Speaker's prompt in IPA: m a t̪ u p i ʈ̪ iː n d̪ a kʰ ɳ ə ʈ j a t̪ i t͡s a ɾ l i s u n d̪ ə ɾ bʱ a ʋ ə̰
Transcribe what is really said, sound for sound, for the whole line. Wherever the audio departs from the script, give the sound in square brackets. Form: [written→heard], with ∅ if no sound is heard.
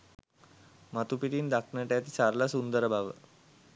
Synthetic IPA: m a t̪ u p i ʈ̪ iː n d̪ a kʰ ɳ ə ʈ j a t̪ i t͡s a ɾ l [i→a] s u n d̪ ə ɾ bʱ a ʋ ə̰